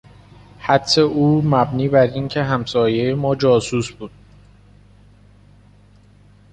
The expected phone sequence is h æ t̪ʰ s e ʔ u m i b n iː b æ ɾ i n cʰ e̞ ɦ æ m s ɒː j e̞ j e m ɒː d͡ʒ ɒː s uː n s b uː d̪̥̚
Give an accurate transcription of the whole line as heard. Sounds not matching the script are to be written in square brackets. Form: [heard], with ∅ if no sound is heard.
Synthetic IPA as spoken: h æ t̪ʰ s e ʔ [uː] m [æ] b n iː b æ ɾ i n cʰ e̞ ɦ æ m s ɒː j e̞ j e m ɒː d͡ʒ ɒː s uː [∅] s b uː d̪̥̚